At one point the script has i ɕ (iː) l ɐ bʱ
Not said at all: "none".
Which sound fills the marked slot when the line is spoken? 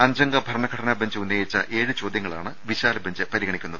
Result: aː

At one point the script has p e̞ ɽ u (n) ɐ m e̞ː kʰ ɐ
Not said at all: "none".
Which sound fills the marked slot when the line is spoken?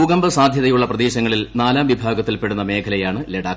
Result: nː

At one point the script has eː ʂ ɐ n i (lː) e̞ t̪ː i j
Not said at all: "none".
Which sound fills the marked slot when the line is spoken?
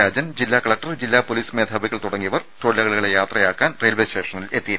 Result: l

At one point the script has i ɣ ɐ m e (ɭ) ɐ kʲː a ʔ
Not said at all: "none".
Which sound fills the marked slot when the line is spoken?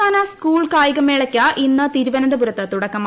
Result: ɭ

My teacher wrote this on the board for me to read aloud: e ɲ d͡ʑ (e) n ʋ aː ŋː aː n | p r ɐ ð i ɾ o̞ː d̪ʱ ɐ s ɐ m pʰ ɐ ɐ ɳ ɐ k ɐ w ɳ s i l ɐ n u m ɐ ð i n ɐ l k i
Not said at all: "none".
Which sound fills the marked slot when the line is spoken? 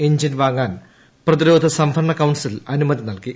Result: i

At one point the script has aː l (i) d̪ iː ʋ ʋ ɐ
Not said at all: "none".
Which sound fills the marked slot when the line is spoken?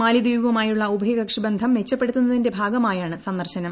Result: i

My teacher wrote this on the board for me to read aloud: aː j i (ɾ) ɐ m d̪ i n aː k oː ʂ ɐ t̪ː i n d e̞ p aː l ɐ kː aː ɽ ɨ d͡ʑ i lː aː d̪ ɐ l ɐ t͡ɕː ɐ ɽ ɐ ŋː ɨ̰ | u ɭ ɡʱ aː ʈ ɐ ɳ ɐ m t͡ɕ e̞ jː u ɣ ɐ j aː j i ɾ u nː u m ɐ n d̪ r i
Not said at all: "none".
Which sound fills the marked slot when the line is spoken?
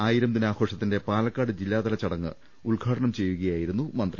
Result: ɾ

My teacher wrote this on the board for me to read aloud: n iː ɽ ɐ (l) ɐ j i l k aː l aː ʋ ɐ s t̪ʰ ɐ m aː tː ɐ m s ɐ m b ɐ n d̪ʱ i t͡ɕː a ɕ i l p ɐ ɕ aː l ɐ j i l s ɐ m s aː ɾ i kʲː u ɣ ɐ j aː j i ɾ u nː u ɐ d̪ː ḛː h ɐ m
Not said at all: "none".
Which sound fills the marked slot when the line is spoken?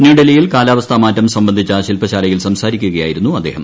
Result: l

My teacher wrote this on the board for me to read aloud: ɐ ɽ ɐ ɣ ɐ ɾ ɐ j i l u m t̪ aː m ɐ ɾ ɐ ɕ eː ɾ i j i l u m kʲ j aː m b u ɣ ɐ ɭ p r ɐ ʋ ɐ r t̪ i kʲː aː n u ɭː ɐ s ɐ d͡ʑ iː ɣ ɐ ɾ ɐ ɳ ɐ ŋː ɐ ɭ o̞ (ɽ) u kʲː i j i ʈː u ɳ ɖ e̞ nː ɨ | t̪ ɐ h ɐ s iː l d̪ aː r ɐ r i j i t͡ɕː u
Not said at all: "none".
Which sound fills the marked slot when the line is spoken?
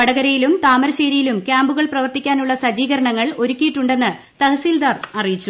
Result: ɾ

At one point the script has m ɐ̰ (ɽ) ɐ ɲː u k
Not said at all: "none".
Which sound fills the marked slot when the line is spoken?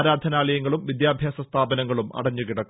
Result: ɽ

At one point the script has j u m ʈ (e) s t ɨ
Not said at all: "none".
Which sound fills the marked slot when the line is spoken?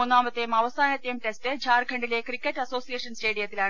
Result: e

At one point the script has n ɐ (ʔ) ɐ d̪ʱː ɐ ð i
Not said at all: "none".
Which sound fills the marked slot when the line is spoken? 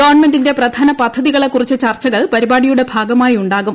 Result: p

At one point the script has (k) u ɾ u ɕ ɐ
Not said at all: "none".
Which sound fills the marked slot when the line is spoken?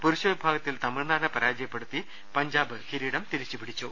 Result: p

